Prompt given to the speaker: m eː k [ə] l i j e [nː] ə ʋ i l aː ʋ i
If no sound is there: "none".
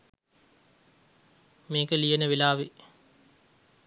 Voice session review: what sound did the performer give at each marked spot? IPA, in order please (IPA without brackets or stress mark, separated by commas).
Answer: ə, n